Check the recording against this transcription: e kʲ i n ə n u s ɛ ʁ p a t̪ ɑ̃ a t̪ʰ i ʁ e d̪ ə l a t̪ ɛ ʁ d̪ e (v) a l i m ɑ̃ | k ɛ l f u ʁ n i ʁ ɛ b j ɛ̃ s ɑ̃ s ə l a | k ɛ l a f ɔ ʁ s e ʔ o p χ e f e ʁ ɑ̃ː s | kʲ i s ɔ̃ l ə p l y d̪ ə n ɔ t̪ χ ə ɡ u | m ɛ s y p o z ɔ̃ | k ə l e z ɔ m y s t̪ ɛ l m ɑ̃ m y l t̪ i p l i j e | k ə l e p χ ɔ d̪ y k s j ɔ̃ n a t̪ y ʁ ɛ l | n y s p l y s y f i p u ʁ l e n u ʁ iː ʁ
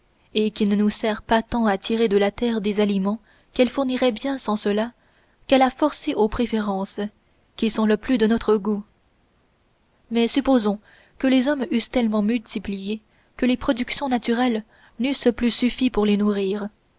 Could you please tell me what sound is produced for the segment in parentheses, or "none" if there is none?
z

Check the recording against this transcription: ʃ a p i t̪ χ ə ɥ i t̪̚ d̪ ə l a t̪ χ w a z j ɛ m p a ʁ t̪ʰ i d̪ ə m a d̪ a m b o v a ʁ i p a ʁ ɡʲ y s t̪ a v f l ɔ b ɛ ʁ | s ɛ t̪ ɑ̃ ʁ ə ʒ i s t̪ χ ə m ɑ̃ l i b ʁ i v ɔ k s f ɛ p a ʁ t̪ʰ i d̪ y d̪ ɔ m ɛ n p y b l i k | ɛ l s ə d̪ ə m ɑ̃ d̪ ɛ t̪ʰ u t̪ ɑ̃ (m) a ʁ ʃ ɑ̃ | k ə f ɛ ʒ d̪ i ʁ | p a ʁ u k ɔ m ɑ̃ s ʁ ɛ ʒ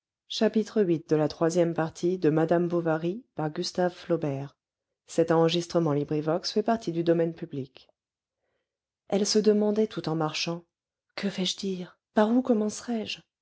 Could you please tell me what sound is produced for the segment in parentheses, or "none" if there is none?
m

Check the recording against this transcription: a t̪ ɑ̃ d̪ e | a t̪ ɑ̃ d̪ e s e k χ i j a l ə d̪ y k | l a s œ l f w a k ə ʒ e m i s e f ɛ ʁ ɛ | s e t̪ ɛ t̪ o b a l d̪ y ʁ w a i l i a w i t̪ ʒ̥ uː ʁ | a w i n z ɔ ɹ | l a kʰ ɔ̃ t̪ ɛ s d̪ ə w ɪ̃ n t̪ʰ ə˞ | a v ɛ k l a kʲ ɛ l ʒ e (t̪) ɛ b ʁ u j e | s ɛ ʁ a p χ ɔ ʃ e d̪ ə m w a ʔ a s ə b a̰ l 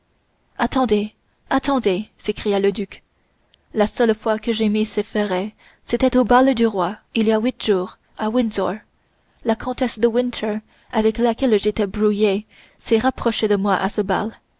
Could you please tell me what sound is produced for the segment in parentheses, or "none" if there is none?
t̪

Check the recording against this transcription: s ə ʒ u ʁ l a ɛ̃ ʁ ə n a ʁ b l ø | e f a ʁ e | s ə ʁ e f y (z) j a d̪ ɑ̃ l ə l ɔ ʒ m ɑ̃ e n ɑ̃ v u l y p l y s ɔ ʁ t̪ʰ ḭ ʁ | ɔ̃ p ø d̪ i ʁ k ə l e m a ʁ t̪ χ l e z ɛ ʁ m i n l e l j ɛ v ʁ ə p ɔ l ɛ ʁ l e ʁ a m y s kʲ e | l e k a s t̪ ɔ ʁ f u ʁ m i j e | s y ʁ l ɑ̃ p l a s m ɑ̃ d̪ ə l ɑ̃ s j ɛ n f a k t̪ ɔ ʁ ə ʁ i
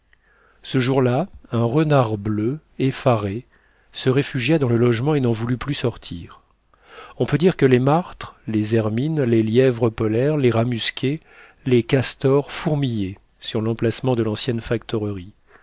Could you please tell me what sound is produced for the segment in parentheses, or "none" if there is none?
ʒ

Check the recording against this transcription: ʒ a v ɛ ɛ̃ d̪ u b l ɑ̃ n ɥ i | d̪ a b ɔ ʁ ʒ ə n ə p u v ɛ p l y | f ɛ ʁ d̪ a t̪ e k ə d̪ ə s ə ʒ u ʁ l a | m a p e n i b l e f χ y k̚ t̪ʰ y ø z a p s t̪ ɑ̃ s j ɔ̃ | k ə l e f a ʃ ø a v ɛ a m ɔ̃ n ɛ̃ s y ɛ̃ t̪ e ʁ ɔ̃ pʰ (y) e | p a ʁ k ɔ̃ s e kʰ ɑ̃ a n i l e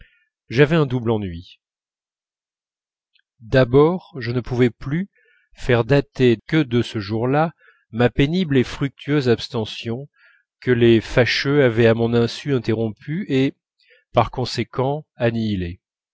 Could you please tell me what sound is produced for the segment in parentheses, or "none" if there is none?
y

